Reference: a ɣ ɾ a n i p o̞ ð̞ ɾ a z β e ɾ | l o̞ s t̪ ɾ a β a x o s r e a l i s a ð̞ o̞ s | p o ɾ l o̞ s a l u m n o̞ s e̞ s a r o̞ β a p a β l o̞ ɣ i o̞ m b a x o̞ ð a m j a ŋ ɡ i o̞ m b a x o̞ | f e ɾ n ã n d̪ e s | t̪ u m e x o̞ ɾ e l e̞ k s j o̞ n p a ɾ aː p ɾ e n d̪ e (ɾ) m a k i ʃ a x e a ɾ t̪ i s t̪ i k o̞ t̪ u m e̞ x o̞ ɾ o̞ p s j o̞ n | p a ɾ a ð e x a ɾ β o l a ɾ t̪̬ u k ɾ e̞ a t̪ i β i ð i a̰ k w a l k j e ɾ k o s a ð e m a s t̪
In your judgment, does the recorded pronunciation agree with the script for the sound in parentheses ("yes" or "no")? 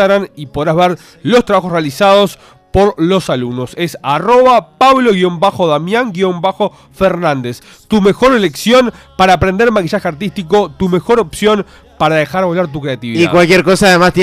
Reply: yes